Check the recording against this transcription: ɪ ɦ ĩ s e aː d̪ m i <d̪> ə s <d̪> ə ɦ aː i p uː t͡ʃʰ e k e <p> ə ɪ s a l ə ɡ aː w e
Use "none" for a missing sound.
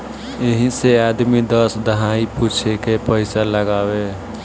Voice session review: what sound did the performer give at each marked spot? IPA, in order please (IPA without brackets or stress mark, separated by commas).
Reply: d̪, d̪, p